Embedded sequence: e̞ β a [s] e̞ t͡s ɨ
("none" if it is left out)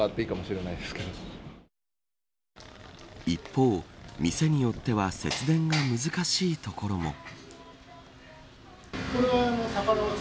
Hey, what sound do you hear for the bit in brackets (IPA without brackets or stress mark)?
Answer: s